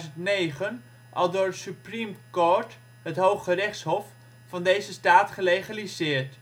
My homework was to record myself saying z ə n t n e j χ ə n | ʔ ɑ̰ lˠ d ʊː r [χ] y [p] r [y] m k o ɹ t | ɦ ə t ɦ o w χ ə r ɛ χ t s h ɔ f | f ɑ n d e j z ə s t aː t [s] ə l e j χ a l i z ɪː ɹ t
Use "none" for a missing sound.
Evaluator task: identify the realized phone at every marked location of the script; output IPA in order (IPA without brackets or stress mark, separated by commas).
s, p, i, χ